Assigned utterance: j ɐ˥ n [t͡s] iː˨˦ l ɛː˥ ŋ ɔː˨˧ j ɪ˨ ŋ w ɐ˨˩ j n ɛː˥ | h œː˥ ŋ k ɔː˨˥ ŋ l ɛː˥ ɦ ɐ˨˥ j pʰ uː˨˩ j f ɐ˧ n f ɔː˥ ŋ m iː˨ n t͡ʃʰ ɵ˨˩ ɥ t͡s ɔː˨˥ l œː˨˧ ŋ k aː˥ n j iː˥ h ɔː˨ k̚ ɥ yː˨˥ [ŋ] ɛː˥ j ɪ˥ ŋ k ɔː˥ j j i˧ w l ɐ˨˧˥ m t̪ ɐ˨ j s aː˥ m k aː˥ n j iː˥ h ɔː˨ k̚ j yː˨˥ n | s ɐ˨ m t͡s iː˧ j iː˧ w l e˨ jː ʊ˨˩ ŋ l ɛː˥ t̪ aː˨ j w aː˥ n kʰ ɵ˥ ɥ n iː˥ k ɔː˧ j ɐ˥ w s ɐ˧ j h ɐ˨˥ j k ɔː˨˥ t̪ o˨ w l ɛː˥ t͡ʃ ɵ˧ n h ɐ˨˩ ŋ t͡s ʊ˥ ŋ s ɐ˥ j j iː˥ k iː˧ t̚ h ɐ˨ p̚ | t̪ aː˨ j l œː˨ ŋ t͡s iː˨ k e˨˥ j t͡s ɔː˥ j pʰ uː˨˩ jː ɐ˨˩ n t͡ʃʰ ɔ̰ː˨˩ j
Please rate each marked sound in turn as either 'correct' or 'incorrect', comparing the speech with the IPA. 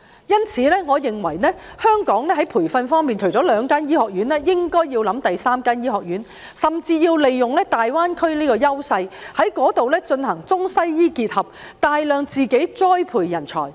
incorrect: t͡sʰ, incorrect: n

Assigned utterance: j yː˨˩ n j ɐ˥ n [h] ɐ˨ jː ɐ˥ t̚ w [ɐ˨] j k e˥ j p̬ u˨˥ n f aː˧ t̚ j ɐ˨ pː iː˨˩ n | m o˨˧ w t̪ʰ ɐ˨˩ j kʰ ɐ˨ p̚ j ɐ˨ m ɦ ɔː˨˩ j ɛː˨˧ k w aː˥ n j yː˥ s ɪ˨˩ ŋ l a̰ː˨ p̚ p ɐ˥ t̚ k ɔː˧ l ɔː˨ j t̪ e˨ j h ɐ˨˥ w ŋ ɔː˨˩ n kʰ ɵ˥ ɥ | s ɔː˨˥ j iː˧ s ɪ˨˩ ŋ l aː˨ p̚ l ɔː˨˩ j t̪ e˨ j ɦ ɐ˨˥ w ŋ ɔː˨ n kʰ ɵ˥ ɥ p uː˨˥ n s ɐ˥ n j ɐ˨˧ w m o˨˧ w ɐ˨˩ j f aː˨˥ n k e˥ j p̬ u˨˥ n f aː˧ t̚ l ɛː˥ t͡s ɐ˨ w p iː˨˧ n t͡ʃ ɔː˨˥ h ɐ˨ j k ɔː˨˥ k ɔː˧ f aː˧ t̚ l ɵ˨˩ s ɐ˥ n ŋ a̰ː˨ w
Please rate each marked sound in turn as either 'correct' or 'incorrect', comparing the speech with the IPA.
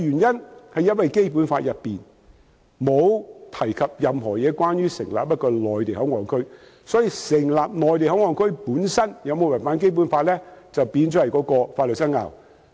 correct, correct

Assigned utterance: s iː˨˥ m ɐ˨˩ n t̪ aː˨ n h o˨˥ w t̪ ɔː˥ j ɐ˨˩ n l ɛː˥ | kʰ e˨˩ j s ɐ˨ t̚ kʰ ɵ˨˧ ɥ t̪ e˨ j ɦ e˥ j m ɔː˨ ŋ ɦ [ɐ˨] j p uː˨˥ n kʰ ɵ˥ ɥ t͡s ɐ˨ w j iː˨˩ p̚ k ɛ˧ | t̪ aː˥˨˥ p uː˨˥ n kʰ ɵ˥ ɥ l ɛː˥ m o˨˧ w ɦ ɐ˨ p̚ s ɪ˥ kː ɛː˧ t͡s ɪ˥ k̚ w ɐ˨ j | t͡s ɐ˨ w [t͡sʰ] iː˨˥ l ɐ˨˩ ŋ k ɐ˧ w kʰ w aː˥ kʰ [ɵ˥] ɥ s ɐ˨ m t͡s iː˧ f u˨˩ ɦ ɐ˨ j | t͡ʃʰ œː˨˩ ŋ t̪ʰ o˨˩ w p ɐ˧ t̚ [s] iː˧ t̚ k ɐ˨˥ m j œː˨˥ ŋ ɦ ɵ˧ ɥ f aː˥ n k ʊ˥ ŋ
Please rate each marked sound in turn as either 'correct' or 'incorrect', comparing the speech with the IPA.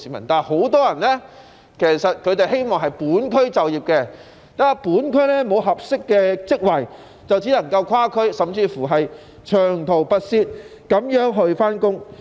correct, incorrect: t͡s, correct, correct

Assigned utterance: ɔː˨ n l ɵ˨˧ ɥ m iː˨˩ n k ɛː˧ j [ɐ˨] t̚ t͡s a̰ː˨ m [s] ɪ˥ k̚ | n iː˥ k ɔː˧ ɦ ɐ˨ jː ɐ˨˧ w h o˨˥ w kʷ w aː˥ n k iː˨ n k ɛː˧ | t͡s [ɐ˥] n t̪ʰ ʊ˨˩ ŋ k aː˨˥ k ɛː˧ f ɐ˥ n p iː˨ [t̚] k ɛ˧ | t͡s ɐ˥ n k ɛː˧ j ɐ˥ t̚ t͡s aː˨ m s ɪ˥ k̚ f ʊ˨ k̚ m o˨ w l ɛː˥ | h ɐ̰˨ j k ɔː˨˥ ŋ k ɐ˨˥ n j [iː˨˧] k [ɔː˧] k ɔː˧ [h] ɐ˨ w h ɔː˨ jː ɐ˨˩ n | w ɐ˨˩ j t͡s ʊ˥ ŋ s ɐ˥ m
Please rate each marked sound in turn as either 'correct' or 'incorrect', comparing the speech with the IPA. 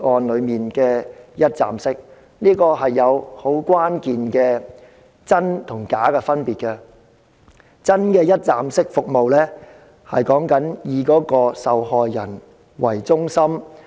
incorrect: ɐ˥, correct, correct, correct, correct, incorrect: ɔː˨˥, incorrect: s

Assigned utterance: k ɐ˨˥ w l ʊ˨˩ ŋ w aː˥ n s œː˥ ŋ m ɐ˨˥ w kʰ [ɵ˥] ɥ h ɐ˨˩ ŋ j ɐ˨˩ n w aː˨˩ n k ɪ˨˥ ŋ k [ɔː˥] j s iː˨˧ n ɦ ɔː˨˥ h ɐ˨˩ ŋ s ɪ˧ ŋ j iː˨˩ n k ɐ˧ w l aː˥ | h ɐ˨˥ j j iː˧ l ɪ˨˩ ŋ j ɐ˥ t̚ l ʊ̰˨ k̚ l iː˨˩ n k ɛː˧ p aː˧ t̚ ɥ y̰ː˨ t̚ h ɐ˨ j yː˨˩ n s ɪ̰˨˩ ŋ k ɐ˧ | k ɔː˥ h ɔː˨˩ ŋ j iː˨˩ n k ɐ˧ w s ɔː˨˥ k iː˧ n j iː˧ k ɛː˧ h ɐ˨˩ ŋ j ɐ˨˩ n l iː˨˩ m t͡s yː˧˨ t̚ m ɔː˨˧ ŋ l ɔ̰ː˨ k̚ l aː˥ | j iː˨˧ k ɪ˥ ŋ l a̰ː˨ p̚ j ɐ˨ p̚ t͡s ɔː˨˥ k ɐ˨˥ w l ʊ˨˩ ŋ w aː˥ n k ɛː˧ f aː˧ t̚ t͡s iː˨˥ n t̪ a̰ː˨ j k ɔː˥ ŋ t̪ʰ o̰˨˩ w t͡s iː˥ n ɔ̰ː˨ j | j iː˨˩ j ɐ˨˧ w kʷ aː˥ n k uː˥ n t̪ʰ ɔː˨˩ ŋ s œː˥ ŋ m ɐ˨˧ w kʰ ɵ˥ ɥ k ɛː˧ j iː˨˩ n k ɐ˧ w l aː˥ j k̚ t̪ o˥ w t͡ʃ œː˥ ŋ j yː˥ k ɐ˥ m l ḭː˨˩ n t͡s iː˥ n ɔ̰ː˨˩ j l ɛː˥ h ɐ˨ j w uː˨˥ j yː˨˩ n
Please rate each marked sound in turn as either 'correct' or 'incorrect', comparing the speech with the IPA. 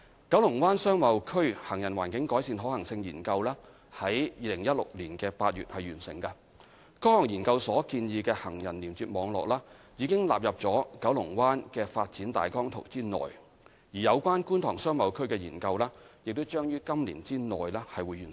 correct, incorrect: ɔː˨˥

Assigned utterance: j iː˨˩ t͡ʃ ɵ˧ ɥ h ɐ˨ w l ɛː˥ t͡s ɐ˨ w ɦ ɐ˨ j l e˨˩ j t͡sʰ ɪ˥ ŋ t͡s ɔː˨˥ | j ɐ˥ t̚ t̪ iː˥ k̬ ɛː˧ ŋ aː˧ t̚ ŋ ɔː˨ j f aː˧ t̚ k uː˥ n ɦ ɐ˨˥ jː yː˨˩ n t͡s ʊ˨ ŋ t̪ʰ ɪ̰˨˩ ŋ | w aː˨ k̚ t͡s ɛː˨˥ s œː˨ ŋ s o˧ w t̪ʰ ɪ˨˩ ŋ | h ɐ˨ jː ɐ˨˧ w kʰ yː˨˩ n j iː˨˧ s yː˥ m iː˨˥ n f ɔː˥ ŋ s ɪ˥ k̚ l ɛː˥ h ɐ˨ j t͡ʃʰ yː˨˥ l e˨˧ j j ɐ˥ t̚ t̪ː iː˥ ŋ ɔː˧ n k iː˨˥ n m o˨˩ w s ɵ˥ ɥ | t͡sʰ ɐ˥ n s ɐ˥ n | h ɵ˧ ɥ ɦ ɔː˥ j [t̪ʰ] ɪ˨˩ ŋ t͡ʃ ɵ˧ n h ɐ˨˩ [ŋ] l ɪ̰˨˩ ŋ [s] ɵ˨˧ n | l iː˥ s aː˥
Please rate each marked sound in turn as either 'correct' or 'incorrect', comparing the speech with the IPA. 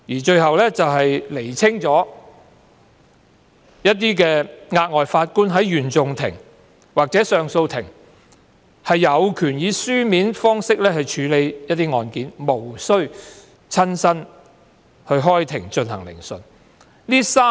correct, correct, correct

